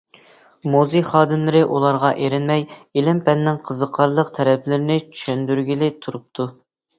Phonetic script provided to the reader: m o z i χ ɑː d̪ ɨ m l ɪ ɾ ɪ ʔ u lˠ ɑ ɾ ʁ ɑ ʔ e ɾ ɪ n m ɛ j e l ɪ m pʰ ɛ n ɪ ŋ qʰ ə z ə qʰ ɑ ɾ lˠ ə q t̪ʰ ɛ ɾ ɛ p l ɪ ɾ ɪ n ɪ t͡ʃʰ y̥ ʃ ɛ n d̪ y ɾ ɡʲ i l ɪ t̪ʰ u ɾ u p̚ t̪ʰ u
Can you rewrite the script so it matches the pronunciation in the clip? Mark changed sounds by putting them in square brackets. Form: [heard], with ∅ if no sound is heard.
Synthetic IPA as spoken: m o z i χ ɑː d̪ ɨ m l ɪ ɾ ɪ ʔ u lˠ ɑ ɾ ʁ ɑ ʔ e ɾ ɪ n m ɛ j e l ɪ m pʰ ɛ [nː] ɪ ŋ qʰ ə z ə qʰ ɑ ɾ lˠ ə q t̪ʰ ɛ ɾ ɛ p l ɪ ɾ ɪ n ɪ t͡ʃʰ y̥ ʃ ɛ n d̪ y ɾ ɡʲ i l ɪ t̪ʰ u ɾ u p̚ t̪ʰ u

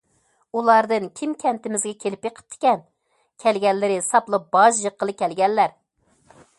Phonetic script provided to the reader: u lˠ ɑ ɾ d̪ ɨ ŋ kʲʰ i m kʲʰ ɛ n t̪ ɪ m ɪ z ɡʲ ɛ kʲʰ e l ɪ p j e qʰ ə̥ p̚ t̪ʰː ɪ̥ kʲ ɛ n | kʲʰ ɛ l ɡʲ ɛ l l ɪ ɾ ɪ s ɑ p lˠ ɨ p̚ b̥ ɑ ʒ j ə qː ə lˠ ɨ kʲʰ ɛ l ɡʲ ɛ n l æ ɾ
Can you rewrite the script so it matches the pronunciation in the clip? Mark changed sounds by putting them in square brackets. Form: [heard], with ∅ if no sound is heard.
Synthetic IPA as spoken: u lˠ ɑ ɾ d̪ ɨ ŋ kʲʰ i m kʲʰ ɛ n t̪ ɪ m ɪ z ɡʲ ɛ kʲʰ e l ɪ p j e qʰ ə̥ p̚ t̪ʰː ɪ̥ kʲ ɛ n | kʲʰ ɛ l ɡʲ ɛ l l ɪ ɾ ɪ s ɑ p lˠ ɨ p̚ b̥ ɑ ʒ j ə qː ə lˠ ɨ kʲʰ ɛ l ɡʲ ɛ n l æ ɾ

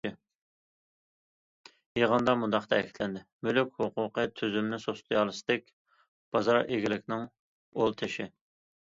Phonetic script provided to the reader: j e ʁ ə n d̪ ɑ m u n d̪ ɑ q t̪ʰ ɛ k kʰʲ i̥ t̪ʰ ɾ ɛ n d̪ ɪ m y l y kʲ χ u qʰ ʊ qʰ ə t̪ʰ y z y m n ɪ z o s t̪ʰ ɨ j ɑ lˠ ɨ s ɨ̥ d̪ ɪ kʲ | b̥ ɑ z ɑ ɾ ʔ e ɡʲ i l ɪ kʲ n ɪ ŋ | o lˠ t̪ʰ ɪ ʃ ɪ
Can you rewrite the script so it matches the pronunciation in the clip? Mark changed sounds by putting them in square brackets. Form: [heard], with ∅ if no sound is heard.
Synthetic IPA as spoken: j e ʁ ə n d̪ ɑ m u n d̪ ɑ q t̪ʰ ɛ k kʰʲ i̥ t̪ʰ [l] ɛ n d̪ ɪ m y l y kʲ [h] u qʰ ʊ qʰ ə t̪ʰ y z y m n ɪ [s] o s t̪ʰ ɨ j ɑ lˠ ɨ s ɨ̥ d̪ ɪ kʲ | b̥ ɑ z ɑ ɾ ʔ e ɡʲ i l ɪ kʲ n ɪ ŋ | o lˠ t̪ʰ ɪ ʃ ɪ

